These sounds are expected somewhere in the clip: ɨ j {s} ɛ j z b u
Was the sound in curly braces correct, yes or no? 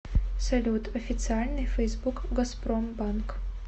no